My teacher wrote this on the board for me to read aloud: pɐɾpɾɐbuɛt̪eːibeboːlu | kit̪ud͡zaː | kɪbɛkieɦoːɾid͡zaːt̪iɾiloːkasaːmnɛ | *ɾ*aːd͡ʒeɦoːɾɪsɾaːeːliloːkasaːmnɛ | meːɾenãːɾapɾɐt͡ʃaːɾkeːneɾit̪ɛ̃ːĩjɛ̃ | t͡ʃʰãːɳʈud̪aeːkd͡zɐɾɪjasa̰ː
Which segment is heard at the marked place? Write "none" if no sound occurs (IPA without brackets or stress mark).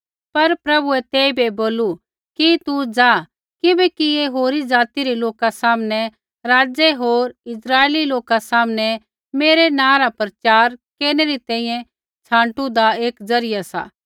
ɾ